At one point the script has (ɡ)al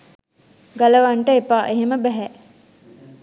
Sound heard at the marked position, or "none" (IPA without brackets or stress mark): ɡ